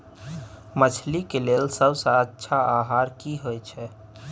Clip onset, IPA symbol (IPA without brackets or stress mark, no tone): m